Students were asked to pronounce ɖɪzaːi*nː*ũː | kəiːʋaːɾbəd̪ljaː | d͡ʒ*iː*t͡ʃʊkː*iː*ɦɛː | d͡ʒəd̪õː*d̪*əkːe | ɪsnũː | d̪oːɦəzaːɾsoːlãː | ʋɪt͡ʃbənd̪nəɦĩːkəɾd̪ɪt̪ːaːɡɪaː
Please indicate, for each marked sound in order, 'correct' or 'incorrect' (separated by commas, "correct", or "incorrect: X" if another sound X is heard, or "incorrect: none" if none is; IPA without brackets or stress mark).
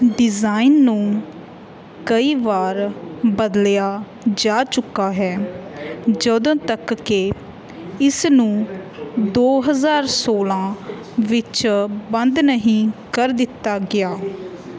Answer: correct, incorrect: aː, incorrect: aː, incorrect: t̪